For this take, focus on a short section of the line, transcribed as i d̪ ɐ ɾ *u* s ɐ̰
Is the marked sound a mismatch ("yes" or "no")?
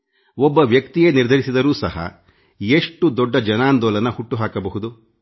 yes